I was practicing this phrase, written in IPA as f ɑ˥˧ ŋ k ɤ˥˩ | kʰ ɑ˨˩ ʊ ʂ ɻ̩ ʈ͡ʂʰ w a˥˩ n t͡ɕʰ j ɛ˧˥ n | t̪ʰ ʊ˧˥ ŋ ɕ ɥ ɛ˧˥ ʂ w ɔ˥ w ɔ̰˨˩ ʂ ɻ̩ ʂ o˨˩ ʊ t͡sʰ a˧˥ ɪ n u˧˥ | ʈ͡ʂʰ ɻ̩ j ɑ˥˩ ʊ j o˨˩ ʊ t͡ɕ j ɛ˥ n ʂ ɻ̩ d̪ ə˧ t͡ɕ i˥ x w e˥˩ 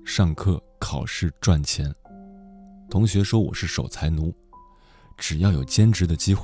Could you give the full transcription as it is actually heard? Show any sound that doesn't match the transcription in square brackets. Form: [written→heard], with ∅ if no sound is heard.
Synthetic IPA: [f→ʂ] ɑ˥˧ ŋ [k→kʰ] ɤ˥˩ | kʰ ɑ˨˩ ʊ ʂ ɻ̩ [ʈ͡ʂʰ→ʈ͡ʂ] w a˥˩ n t͡ɕʰ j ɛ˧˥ n | t̪ʰ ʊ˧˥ ŋ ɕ ɥ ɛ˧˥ ʂ w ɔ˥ w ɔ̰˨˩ ʂ ɻ̩ ʂ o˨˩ ʊ t͡sʰ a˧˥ ɪ n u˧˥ | [ʈ͡ʂʰ→ʈ͡ʂ] ɻ̩ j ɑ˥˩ ʊ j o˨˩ ʊ t͡ɕ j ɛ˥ n [ʂ→ʈ͡ʂ] ɻ̩ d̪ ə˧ t͡ɕ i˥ x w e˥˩